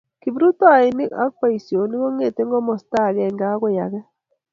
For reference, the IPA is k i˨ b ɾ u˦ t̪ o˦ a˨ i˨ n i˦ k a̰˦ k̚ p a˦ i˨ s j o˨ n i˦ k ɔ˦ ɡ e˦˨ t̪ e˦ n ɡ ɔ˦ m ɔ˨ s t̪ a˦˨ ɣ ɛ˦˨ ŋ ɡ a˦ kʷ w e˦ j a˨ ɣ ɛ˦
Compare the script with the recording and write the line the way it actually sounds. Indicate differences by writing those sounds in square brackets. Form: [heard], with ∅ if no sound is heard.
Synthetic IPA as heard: k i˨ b ɾ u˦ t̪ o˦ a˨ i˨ n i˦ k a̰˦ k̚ p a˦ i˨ s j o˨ n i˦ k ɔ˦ [ŋ] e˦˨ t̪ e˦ [ŋ] ɡ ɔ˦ m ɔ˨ s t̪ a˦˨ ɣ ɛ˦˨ ŋ ɡ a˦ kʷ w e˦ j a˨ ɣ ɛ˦